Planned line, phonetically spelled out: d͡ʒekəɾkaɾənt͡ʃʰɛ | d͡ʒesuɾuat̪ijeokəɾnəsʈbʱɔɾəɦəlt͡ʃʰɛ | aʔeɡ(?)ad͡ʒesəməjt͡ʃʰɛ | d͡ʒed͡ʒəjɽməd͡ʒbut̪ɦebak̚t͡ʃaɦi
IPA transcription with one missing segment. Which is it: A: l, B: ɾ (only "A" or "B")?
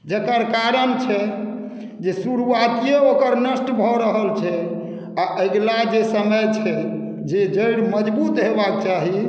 A